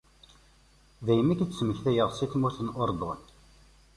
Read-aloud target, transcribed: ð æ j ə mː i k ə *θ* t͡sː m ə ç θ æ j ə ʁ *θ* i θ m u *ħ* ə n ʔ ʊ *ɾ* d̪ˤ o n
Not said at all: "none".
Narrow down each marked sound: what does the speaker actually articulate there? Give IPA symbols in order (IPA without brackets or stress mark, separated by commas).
none, s, θ, ɾ